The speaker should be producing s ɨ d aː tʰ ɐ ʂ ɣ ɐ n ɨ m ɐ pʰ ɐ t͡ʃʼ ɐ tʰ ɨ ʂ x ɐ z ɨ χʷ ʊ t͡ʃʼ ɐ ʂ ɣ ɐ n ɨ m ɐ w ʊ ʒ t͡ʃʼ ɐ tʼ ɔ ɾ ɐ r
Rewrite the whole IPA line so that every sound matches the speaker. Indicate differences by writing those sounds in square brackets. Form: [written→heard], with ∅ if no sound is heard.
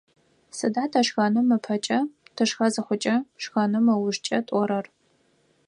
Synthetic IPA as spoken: s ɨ d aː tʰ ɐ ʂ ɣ ɐ n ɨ m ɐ pʰ ɐ t͡ʃʼ ɐ tʰ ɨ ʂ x ɐ z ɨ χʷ ʊ t͡ʃʼ ɐ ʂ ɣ ɐ n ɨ m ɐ w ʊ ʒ t͡ʃʼ ɐ tʼ ɔ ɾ ɐ r